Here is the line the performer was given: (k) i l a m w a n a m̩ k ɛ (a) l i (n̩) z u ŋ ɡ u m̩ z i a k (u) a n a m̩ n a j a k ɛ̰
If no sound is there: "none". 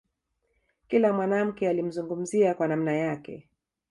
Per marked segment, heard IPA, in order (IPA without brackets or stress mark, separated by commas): k, a, m̩, w